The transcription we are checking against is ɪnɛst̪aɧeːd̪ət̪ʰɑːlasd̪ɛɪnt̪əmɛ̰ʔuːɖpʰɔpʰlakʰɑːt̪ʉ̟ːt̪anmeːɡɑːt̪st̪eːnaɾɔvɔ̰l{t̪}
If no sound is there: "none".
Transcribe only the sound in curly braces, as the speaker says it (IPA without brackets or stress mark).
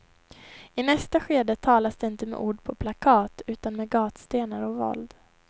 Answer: d̪